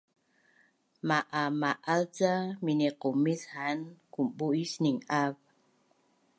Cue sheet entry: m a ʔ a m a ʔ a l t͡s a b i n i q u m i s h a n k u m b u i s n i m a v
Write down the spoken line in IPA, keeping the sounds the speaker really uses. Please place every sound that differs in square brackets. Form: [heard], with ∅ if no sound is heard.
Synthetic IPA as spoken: m a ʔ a m a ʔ a l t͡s a [m] i n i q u m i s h a n k u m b u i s n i [ŋ] a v